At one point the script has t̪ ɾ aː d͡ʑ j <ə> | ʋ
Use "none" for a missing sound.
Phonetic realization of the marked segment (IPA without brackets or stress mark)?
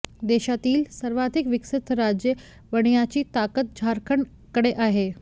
ə